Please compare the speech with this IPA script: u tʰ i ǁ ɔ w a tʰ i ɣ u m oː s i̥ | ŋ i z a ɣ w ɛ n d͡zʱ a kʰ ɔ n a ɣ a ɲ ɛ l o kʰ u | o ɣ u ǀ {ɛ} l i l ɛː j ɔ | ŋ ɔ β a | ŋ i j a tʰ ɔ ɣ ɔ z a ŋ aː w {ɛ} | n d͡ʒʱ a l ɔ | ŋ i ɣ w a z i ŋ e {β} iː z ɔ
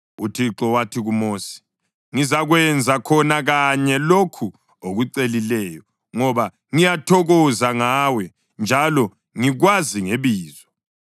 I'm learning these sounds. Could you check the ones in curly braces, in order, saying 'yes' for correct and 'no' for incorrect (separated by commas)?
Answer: no, yes, yes